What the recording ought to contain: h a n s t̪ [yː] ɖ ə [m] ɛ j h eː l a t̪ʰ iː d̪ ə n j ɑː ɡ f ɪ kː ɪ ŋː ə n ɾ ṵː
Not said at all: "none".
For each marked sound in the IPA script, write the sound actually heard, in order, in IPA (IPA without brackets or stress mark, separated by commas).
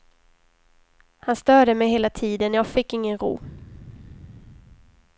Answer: œː, m